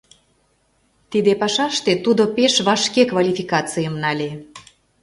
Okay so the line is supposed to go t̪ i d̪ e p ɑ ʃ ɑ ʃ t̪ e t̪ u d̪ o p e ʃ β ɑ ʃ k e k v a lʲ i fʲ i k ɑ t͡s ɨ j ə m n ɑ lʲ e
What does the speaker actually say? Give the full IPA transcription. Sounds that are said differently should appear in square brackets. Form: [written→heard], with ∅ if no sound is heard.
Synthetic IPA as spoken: t̪ i d̪ e p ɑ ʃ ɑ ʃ t̪ e t̪ u d̪ o p e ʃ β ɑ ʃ k e k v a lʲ i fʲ i k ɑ t͡s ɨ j ə m n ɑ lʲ e